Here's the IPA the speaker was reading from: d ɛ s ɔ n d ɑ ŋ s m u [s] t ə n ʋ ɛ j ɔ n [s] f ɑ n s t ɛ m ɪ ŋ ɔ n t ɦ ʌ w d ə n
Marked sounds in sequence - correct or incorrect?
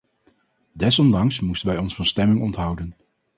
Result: correct, correct

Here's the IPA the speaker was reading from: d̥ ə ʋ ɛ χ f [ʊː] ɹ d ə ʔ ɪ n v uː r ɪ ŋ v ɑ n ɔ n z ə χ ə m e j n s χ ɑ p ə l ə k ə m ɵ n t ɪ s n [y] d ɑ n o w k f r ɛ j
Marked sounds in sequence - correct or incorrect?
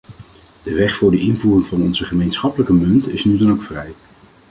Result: correct, correct

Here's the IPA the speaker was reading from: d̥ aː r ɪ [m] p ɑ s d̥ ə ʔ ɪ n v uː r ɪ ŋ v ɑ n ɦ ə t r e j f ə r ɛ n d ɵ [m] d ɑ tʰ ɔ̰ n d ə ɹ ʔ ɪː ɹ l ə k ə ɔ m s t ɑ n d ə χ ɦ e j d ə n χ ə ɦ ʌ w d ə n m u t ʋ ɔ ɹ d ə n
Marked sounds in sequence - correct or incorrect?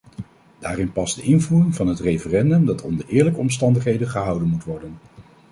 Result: incorrect: n, correct

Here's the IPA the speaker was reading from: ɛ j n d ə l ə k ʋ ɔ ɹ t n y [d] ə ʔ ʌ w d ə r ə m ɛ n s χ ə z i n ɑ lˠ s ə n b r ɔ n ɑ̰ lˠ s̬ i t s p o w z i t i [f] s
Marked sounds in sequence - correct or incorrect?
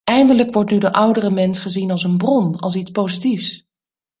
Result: correct, correct

